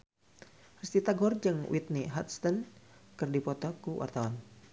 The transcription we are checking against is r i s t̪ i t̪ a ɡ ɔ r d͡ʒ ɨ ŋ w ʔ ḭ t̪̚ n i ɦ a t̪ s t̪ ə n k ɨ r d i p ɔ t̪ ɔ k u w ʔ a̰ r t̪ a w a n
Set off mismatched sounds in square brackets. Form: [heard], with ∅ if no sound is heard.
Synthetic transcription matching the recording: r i s t̪ i t̪ a ɡ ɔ r d͡ʒ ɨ ŋ w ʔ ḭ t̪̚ n i ɦ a t̪ s t̪ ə n k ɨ r d i p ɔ t̪ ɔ k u w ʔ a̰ r t̪ a w a n